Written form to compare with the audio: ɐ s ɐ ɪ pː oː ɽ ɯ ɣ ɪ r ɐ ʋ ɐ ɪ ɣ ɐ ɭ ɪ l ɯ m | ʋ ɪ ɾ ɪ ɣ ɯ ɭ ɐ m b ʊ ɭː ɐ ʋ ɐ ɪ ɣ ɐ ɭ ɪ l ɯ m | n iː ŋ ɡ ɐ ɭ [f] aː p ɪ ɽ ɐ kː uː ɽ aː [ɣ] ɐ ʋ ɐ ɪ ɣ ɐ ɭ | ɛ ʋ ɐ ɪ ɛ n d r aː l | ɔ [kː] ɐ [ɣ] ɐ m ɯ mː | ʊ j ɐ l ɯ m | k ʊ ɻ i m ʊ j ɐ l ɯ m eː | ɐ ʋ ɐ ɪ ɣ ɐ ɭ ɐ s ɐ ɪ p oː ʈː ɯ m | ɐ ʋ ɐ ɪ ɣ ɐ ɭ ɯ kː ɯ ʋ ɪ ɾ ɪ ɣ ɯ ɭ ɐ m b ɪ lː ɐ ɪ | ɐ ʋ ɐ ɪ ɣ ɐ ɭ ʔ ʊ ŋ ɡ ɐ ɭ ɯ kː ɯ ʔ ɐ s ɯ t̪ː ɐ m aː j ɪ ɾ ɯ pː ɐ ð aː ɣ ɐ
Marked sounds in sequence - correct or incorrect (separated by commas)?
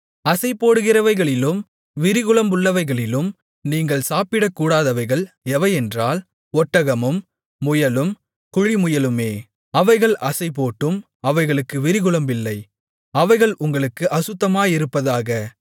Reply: incorrect, incorrect, incorrect, correct